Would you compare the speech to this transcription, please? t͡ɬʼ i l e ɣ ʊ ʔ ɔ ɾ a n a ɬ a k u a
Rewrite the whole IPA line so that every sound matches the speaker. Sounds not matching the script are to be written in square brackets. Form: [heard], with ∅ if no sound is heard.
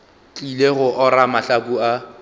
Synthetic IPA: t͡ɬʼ i l e ɣ ʊ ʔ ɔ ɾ a [m] a ɬ a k u a